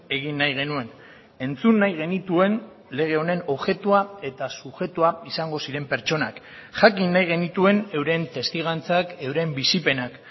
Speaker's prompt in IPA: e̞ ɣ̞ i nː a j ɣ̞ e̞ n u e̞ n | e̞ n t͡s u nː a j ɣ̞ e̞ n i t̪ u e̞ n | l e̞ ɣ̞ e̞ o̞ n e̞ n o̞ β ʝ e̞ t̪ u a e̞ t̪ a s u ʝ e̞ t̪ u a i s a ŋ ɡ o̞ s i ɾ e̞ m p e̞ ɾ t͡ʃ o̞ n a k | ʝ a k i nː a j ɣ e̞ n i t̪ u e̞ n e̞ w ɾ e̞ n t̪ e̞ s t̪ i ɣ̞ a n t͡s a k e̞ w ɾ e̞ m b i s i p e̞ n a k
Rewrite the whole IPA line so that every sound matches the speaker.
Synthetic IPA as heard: e̞ ɣ̞ i nː a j ɣ̞ e̞ n u e̞ n | e̞ n t͡s u nː a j ɣ̞ e̞ n i t̪ u e̞ n | l e̞ ɣ̞ e̞ o̞ n e̞ n o̞ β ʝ e̞ t̪ u a e̞ t̪ a s u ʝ e̞ t̪ u a i s a ŋ ɡ o̞ s i ɾ e̞ m p e̞ ɾ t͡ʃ o̞ n a k | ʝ a k i nː a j ɣ e̞ n i t̪ u e̞ n e̞ w ɾ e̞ n t̪ e̞ s t̪ i ɣ̞ a n t͡s a k e̞ w ɾ e̞ m b i s i p e̞ n a k